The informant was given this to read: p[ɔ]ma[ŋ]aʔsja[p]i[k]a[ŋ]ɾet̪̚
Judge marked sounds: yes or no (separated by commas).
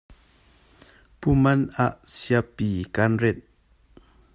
no, no, yes, yes, no